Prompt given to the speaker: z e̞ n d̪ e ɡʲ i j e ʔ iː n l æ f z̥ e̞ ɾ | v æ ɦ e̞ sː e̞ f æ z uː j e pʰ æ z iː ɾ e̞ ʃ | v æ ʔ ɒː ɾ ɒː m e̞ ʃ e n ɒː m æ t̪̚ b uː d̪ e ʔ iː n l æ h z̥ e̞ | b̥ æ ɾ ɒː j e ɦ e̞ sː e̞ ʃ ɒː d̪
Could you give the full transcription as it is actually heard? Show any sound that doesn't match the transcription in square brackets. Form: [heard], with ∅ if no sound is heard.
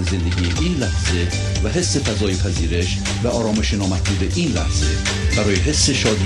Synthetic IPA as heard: z e̞ n d̪ e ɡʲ i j e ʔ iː n l æ [h] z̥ e̞ [∅] | v æ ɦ e̞ sː e̞ f æ z [ɒː] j e pʰ æ z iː ɾ e̞ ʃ | v æ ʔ ɒː ɾ ɒː m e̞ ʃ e n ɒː m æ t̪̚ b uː d̪ e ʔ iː n l æ h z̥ e̞ | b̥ æ ɾ ɒː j e ɦ e̞ sː e̞ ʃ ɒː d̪